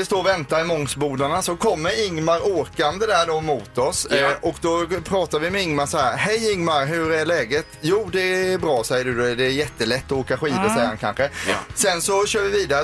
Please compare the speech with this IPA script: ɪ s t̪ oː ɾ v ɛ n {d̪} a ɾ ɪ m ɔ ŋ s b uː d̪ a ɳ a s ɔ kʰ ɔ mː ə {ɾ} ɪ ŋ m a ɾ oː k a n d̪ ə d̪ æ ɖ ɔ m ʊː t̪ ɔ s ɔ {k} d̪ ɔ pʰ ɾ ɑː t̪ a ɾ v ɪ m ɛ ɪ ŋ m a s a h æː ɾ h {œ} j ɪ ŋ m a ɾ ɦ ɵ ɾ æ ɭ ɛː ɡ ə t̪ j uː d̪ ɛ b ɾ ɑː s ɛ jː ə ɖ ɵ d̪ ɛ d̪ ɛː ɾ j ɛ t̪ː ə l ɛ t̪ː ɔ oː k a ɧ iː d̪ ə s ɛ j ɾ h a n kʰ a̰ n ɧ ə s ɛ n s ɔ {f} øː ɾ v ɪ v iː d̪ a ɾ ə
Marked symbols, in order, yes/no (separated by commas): no, yes, yes, no, no